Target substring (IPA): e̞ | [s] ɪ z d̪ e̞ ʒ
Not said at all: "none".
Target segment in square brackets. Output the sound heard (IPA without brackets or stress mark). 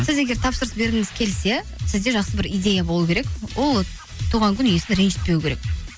s